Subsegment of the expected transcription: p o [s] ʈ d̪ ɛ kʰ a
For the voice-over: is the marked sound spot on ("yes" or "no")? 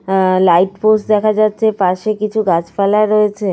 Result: yes